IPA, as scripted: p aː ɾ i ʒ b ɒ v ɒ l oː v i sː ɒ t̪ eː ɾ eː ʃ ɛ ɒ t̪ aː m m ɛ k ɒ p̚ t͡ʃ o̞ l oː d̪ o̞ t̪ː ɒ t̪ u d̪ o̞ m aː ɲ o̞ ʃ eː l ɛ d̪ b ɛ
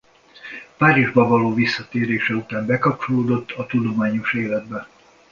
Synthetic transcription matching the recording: p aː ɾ i ʒ b ɒ v ɒ l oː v i sː ɒ t̪ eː ɾ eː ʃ ɛ u t̪ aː m b ɛ k ɒ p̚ t͡ʃ o̞ l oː d̪ o̞ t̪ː ɒ t̪ u d̪ o̞ m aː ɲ o̞ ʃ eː l ɛ d̪ b ɛ